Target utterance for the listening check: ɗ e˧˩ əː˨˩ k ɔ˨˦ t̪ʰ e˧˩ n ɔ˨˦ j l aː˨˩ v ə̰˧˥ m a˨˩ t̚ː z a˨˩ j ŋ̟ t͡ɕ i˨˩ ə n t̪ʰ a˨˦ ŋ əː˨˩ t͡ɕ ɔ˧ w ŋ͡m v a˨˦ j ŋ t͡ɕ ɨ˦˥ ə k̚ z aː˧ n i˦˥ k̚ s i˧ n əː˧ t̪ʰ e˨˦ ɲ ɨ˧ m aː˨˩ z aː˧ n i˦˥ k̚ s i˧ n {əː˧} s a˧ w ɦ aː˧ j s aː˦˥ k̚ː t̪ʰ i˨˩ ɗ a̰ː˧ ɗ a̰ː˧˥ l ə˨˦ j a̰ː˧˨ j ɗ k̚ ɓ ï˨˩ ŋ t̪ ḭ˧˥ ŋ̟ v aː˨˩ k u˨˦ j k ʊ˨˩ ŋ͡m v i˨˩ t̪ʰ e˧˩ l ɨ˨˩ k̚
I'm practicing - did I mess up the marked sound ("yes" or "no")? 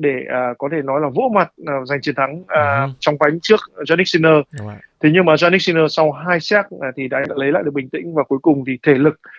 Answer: no